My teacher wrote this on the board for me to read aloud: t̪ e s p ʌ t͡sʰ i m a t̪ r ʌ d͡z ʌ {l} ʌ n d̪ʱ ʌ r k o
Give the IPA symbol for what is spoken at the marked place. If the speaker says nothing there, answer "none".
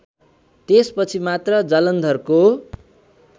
l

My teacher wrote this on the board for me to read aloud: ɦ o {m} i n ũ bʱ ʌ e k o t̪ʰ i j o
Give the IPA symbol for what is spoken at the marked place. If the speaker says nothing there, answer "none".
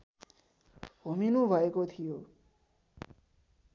m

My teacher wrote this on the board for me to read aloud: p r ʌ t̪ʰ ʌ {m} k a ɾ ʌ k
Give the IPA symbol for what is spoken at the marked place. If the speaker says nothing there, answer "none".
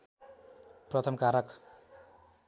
m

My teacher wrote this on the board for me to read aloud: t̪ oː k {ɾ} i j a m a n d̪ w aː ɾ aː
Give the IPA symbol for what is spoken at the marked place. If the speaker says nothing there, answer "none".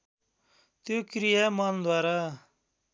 ɾ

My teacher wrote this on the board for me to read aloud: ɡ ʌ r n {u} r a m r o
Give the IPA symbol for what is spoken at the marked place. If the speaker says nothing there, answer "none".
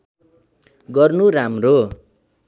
u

